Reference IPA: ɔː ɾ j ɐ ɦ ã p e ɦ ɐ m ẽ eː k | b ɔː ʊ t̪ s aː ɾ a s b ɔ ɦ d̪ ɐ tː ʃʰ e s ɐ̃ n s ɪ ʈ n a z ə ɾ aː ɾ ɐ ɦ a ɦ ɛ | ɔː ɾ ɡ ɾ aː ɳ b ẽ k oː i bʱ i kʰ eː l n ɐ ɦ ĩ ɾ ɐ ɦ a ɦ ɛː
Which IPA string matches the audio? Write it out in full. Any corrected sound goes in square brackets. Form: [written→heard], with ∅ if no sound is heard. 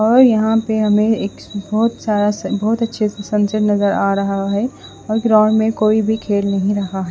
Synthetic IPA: ɔː ɾ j ɐ ɦ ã p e ɦ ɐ m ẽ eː k | b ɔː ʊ t̪ s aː ɾ a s b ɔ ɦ [d̪→t̪] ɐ tː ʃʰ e s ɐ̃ n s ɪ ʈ n [a→ɐ] z ə ɾ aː ɾ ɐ ɦ a ɦ ɛ | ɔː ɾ ɡ ɾ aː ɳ [b→m] ẽ k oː i bʱ i kʰ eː l n ɐ ɦ ĩ ɾ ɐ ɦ a ɦ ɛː

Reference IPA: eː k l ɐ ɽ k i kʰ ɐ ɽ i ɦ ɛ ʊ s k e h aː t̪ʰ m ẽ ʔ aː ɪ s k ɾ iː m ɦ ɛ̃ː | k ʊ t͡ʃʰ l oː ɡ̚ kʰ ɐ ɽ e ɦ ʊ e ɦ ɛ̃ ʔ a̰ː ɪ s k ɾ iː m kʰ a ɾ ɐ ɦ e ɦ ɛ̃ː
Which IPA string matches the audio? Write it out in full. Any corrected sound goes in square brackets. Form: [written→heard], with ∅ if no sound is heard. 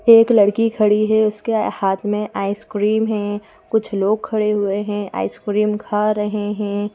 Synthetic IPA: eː k l ɐ ɽ k i kʰ ɐ ɽ i ɦ ɛ ʊ s k e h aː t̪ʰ m ẽ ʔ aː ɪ s k ɾ iː m ɦ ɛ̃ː | k ʊ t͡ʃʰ l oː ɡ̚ kʰ ɐ ɽ e ɦ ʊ e ɦ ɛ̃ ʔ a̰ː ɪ s k ɾ iː m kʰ a ɾ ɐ ɦ e ɦ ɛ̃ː

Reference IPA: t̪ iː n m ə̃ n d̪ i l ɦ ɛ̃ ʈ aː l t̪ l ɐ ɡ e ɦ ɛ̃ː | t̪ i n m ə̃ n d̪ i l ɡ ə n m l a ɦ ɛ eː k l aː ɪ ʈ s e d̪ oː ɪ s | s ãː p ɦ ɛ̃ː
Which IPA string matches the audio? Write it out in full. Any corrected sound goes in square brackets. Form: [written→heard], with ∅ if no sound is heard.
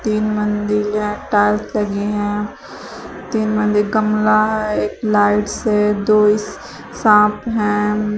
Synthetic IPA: t̪ iː n m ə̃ n d̪ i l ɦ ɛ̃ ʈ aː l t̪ l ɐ ɡ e ɦ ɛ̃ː | t̪ [i→iː] n m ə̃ n d̪ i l ɡ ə [n→∅] m l a ɦ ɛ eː k l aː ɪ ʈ s e d̪ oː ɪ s | s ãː p ɦ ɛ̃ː

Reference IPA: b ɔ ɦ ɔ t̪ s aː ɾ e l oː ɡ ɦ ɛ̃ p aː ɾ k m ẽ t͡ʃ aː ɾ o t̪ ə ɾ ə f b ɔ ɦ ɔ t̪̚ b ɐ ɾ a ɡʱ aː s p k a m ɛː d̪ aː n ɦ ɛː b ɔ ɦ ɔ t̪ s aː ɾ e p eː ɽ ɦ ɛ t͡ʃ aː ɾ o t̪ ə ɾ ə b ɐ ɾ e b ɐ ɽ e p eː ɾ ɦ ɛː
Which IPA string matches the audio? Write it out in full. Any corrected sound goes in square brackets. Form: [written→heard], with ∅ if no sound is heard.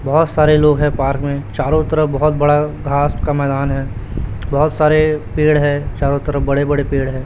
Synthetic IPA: b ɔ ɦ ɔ t̪ s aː ɾ e l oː ɡ ɦ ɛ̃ p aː ɾ k m ẽ t͡ʃ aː ɾ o t̪ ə ɾ ə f b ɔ ɦ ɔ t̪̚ b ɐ [ɾ→ɽ] a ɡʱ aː s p k a m ɛː d̪ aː n ɦ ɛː b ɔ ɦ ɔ t̪ s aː ɾ e p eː ɽ ɦ ɛ t͡ʃ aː ɾ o t̪ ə ɾ ə b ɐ [ɾ→ɽ] e b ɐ ɽ e p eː [ɾ→ɽ] ɦ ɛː

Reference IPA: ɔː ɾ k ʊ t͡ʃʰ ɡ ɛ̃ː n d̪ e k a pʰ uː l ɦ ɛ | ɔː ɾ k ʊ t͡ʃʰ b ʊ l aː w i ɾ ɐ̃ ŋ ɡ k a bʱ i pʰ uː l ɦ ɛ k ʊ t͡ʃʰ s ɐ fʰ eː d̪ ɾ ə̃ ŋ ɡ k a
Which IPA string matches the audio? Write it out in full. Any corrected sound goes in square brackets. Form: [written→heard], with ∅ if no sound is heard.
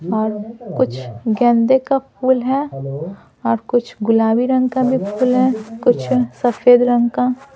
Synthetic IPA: ɔː ɾ k ʊ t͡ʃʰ ɡ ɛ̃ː n d̪ e k a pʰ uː l ɦ ɛ | ɔː ɾ k ʊ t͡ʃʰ [b→ɡ] ʊ l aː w i ɾ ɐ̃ ŋ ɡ k a bʱ i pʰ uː l ɦ ɛ k ʊ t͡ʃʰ s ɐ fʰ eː d̪ ɾ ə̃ ŋ ɡ k a

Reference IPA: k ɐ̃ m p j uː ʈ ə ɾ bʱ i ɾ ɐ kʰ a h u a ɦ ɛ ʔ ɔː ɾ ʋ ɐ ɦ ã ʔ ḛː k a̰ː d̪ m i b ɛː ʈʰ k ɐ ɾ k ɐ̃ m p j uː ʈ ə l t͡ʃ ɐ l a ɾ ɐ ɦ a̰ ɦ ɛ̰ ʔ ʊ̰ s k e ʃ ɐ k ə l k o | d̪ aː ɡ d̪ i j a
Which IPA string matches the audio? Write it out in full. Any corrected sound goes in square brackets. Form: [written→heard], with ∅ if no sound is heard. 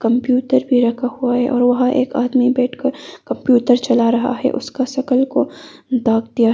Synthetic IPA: k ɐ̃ m p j uː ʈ ə ɾ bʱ i ɾ ɐ kʰ a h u a ɦ ɛ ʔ ɔː ɾ ʋ ɐ ɦ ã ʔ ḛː k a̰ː d̪ m i b ɛː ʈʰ k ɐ ɾ k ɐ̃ m p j uː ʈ ə [l→ɾ] t͡ʃ ɐ l a ɾ ɐ ɦ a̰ ɦ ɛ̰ ʔ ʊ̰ s k [e→a] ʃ ɐ k ə l k o | d̪ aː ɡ d̪ i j a

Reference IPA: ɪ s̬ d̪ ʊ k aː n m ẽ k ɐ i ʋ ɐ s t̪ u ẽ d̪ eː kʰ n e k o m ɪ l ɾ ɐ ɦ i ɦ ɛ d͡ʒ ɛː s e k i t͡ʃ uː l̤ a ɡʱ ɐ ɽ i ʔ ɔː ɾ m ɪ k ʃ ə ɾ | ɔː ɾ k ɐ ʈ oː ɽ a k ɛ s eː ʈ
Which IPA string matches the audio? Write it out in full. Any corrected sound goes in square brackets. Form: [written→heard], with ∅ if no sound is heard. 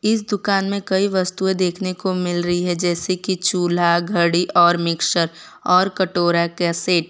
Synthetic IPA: ɪ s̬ d̪ ʊ k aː n m ẽ k ɐ i ʋ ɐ s t̪ u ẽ d̪ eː kʰ n e k o m ɪ l ɾ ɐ ɦ i ɦ ɛ d͡ʒ ɛː s e k i t͡ʃ uː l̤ a ɡʱ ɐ ɽ i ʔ ɔː ɾ m ɪ k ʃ ə ɾ | ɔː ɾ k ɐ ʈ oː [ɽ→ɾ] a k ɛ s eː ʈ

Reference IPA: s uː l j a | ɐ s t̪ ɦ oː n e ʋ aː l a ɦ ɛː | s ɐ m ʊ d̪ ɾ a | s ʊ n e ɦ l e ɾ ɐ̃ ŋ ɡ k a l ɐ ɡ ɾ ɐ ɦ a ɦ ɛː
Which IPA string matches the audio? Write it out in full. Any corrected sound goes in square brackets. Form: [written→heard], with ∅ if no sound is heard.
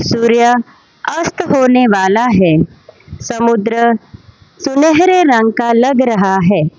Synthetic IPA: s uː [l→ɾ] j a | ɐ s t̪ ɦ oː n e ʋ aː l a ɦ ɛː | s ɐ m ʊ d̪ ɾ [a→ə] | s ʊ n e ɦ [l→ɾ] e ɾ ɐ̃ ŋ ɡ k a l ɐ ɡ ɾ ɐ ɦ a ɦ ɛː

